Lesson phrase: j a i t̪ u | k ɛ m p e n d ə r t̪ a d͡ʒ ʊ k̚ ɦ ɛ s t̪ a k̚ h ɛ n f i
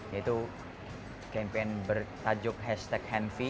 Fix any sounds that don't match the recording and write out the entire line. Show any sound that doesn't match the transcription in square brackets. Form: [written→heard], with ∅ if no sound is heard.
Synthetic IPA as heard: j a i t̪ u | k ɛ m p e n [d→b] ə r t̪ a d͡ʒ ʊ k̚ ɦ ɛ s t̪ [a→ɛ] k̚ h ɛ n f i